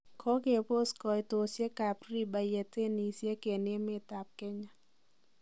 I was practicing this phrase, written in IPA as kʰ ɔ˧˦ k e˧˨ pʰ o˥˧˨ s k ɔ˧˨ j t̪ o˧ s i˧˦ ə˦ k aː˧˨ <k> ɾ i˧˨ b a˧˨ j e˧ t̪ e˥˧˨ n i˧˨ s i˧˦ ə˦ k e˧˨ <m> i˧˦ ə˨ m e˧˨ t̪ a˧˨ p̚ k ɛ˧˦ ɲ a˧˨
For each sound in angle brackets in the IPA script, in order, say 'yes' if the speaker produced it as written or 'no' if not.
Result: no, no

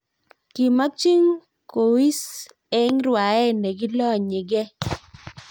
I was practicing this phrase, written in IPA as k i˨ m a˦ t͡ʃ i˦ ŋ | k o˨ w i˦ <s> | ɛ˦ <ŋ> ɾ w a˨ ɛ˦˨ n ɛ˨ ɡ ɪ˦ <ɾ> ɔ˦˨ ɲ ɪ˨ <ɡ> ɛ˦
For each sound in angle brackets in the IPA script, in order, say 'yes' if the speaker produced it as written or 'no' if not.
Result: yes, yes, no, yes

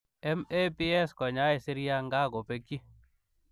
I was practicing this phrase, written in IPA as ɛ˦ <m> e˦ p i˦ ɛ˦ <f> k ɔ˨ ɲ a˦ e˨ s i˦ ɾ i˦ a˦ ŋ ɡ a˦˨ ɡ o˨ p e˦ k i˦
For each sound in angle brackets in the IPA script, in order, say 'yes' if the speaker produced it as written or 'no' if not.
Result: yes, no

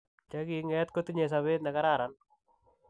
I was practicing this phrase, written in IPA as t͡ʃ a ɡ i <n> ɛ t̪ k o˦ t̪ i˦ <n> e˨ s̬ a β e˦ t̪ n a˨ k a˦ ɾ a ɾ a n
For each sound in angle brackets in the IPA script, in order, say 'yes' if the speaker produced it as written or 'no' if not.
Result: no, no

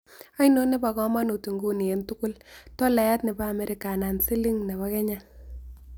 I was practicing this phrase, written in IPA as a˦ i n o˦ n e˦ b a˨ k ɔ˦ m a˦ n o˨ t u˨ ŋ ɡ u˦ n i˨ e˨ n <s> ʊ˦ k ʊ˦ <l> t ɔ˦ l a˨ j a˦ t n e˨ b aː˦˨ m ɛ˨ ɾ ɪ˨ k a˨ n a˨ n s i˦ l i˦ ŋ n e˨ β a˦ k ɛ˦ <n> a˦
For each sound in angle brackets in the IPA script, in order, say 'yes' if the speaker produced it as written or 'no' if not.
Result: no, yes, no

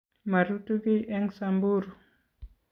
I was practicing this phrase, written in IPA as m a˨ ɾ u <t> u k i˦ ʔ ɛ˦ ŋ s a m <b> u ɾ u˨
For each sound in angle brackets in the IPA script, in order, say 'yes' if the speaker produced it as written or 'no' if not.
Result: yes, yes

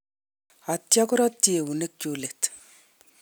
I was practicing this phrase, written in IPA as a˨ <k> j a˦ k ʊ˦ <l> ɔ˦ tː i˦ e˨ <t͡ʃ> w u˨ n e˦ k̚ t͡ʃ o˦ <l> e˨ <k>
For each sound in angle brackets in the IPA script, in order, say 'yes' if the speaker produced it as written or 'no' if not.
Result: no, no, no, yes, no

